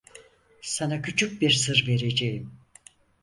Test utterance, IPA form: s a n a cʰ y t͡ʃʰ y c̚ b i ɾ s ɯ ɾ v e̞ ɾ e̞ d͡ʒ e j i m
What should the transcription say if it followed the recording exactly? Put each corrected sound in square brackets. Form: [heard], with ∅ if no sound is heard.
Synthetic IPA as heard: s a n a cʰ y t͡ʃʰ y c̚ b i ɾ s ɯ ɾ v e̞ ɾ e̞ d͡ʒ e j i m